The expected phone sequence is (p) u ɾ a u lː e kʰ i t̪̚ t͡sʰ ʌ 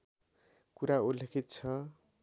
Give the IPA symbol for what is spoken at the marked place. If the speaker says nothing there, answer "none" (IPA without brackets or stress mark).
k